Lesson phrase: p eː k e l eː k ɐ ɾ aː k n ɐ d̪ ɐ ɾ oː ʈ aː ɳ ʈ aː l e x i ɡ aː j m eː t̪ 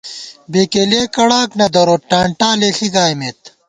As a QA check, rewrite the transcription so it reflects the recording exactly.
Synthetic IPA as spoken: b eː k e l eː k ɐ ɽ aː k n ɐ d̪ ɐ ɾ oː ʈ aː ɳ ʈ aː l e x i ɡ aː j m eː t̪